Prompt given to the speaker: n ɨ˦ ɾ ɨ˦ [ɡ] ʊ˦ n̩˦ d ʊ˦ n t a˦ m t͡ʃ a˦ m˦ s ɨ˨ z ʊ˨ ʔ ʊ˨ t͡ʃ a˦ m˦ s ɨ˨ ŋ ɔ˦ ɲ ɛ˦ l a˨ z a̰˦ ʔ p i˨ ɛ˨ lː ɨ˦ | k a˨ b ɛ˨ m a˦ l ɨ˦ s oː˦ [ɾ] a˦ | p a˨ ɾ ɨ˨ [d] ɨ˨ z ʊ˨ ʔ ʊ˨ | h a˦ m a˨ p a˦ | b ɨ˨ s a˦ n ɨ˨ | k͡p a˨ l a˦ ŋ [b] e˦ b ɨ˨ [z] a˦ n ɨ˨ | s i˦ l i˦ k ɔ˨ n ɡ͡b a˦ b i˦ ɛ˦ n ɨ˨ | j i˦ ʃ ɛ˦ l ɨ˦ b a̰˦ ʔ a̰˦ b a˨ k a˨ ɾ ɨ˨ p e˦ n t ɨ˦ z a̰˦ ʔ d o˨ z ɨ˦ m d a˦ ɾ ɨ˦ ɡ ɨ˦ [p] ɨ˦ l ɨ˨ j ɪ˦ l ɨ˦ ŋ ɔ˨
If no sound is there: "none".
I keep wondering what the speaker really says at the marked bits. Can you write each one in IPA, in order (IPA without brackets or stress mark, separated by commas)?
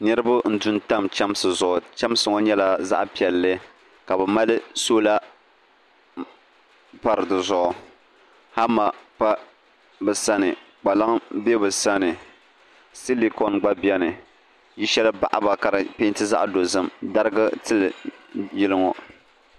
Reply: b, l, d, b, s, t